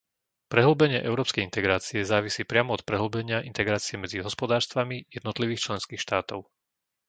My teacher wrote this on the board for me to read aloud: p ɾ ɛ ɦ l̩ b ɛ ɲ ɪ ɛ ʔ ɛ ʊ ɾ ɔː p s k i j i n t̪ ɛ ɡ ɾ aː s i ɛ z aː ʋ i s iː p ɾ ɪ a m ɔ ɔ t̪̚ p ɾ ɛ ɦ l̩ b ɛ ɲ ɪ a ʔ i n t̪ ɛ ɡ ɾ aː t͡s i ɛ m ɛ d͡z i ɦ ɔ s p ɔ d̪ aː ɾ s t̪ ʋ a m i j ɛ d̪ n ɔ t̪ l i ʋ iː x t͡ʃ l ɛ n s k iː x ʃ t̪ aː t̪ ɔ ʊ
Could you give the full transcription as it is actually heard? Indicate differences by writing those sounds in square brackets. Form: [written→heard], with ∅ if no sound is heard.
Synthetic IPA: p ɾ ɛ ɦ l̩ b ɛ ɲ ɪ ɛ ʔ ɛ ʊ ɾ ɔː p s k [i→ɛ] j i n t̪ ɛ ɡ ɾ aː [s→t͡s] i ɛ z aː ʋ i s iː p ɾ ɪ a m ɔ ɔ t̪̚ p ɾ ɛ ɦ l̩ b ɛ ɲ ɪ a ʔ i n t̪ ɛ ɡ ɾ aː t͡s i ɛ m ɛ d͡z i ɦ ɔ s p ɔ d̪ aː ɾ s t̪ ʋ a m i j ɛ d̪ n ɔ t̪ l i ʋ iː x t͡ʃ l ɛ n s k iː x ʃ t̪ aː t̪ ɔ ʊ